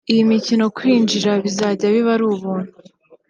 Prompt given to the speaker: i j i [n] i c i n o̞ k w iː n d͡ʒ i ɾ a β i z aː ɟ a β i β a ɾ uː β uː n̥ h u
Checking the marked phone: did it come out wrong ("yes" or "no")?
yes